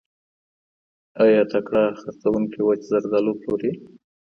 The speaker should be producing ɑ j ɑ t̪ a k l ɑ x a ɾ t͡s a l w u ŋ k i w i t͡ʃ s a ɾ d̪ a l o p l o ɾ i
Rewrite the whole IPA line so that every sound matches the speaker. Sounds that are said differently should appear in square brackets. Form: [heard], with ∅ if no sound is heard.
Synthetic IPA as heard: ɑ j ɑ t̪ a k [ɽ] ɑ x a ɾ t͡s a [∅] w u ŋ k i w [a] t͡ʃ [z] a ɾ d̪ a l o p l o ɾ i